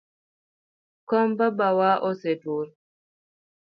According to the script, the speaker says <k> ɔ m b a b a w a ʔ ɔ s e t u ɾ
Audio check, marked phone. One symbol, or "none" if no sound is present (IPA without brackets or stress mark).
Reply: k